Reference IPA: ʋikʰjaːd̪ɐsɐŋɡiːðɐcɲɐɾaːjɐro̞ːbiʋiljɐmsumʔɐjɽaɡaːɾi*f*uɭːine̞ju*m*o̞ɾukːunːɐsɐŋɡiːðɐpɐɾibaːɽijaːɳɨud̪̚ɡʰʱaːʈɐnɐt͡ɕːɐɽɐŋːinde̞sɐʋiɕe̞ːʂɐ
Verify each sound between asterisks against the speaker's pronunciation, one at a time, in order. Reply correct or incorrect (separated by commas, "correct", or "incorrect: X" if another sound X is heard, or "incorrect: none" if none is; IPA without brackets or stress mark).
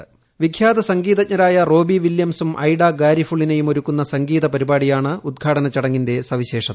correct, correct